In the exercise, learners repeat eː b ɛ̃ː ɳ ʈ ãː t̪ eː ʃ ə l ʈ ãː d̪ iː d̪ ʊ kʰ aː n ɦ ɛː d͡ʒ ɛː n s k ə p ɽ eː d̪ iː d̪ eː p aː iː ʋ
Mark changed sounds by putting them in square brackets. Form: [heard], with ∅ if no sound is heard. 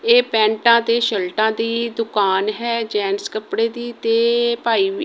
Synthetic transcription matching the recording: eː [p] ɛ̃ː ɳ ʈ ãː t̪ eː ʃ ə l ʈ ãː d̪ iː d̪ ʊ [k] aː n ɦ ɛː d͡ʒ ɛː n s k ə p ɽ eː d̪ iː [t̪] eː p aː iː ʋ